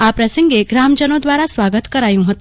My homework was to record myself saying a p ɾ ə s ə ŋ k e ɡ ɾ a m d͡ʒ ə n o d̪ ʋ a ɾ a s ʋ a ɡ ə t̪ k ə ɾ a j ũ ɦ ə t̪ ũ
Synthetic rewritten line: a p ɾ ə s ə ŋ ɡ e ɡ ɾ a m d͡ʒ ə n o d̪ ʋ a ɾ a s ʋ a ɡ ə t̪ k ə ɾ a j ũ ɦ ə t̪ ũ